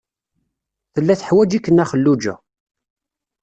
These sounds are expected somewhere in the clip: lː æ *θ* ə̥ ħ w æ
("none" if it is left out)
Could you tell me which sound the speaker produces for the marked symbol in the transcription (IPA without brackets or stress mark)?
θ